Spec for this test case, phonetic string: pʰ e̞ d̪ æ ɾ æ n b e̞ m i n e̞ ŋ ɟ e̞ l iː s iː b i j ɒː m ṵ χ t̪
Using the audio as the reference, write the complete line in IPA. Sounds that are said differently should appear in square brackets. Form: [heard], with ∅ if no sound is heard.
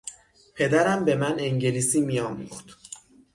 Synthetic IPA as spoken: pʰ e̞ d̪ æ ɾ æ [m] b e̞ m [æ] n e̞ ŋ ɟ e̞ l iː s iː [m] i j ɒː m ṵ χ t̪

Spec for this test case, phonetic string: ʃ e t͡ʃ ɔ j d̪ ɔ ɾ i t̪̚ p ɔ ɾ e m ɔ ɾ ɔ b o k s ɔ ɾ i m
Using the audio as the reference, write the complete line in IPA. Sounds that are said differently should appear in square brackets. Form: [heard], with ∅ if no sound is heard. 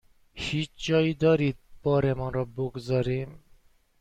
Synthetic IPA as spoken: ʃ [i] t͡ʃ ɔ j d̪ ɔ ɾ i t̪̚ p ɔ ɾ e m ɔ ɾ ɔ b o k [z] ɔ ɾ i m

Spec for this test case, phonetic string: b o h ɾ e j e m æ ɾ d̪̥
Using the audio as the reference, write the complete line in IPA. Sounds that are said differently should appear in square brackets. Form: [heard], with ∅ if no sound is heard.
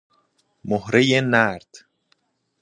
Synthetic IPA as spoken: [m] o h ɾ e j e [n] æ ɾ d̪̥

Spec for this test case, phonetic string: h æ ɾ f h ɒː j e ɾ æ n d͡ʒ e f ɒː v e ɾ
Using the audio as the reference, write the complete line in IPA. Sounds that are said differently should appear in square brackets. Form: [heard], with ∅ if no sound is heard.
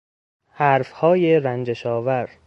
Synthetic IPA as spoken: h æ ɾ f h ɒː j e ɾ æ n d͡ʒ e [ʃ] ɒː v [æ] ɾ

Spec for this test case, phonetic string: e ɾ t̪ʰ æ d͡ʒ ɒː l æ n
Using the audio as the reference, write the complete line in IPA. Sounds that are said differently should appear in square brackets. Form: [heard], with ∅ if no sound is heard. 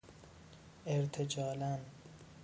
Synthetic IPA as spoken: e ɾ t̪ʰ [e] d͡ʒ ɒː l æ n

